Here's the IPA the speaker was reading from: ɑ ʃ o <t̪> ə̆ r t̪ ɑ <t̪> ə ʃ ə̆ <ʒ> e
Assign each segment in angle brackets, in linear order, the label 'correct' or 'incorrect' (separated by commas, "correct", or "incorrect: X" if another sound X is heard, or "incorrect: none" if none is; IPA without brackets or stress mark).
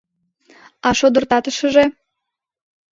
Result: incorrect: d̪, correct, correct